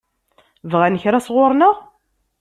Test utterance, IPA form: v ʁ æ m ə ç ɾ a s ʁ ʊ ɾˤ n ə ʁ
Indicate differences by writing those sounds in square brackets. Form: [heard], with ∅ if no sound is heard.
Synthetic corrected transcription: v ʁ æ [n] ə ç ɾ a s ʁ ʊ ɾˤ n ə ʁ